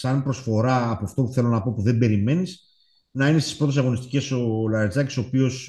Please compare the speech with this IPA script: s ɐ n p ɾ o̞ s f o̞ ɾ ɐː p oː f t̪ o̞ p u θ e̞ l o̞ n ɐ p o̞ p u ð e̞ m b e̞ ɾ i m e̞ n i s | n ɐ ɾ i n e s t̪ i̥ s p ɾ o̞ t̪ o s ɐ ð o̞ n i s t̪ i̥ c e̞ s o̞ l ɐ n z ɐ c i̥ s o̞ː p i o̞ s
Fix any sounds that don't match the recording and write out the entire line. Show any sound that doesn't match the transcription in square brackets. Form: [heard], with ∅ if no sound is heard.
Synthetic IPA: s ɐ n p ɾ o̞ s f o̞ ɾ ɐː p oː f t̪ o̞ p u θ e̞ l o̞ n ɐ p o̞ p u ð e̞ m b e̞ ɾ i m e̞ n i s | n ɐ [∅] i n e s t̪ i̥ s p ɾ o̞ t̪ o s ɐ [ɣ] o̞ n i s t̪ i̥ c e̞ s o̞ l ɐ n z ɐ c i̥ s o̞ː p i o̞ s